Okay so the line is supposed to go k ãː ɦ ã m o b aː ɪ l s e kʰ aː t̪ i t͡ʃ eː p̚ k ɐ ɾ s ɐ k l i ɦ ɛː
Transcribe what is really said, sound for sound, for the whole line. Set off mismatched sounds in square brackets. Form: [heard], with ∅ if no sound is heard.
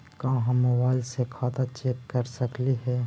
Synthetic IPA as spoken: k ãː ɦ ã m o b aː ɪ l s e kʰ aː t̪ [a] t͡ʃ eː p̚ k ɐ ɾ s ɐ k l i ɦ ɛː